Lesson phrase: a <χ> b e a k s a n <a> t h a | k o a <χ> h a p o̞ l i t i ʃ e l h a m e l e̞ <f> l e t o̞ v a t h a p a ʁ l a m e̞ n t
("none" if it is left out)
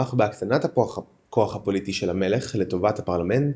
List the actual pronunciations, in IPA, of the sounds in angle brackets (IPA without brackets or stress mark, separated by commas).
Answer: χ, a, χ, χ